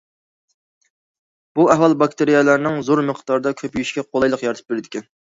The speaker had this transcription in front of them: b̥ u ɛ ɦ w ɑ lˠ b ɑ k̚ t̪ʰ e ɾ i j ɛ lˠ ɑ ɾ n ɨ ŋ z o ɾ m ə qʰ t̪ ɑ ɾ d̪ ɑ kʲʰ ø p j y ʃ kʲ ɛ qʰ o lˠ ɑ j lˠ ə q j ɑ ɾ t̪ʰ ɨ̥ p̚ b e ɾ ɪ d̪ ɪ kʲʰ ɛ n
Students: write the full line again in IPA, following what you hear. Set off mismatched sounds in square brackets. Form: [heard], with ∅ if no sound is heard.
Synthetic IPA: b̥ u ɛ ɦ w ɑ lˠ b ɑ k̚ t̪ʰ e ɾ i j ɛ lˠ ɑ ɾ n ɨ ŋ z o ɾ m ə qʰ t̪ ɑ ɾ d̪ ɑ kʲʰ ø p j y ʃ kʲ ɛ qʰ o lˠ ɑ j lˠ ə q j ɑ ɾ t̪ʰ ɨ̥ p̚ b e ɾ ɪ d̪ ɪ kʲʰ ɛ n